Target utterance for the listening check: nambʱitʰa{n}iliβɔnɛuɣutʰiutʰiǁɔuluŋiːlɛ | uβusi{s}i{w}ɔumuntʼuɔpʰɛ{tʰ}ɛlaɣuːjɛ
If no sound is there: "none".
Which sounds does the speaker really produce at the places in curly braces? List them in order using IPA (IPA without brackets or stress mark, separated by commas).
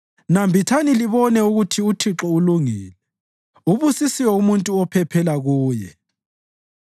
n, s, w, pʰ